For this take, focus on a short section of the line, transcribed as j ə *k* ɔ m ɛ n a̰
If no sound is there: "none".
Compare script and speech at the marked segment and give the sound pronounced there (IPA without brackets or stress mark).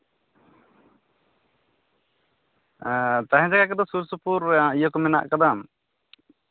k